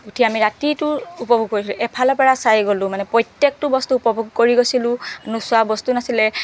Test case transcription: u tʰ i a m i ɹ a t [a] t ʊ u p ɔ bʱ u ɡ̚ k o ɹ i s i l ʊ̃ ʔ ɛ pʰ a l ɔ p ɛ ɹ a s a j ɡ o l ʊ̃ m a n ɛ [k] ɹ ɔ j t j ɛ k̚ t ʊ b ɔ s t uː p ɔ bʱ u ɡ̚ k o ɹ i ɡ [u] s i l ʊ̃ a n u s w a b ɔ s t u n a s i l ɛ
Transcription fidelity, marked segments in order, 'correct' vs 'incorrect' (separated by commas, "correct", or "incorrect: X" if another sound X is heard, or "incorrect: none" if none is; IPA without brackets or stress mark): incorrect: i, incorrect: p, incorrect: o